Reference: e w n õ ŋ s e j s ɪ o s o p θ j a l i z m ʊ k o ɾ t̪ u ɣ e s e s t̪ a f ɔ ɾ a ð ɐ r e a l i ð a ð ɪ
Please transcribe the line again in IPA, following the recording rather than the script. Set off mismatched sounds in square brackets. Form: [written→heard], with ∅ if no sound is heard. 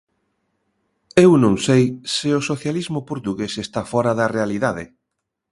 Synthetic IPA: e w n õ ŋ s e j s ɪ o s o [p→∅] θ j a l i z m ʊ [k→p] o ɾ t̪ u ɣ e s e s t̪ a f ɔ ɾ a ð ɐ r e a l i ð a ð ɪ